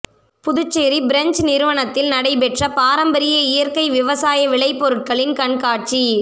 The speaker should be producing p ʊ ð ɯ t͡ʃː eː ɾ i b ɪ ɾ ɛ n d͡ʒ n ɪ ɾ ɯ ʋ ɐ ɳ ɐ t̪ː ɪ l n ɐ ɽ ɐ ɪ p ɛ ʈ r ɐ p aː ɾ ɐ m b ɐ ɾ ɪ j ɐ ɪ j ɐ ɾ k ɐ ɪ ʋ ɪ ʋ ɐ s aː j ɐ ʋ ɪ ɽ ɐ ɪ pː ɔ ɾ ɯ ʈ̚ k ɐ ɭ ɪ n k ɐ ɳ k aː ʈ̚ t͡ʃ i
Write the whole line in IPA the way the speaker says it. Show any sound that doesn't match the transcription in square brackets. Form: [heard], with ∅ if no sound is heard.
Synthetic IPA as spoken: p ʊ ð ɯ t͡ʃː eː ɾ i b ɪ ɾ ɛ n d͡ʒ n ɪ ɾ ɯ ʋ ɐ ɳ ɐ t̪ː ɪ l n ɐ ɽ ɐ ɪ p ɛ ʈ r ɐ p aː ɾ ɐ m b ɐ ɾ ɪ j ɐ ɪ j ɐ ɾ k ɐ ɪ ʋ ɪ ʋ ɐ s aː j ɐ ʋ ɪ [ɭ] ɐ ɪ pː ɔ ɾ ɯ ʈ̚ k ɐ ɭ ɪ n k ɐ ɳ k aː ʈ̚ t͡ʃ i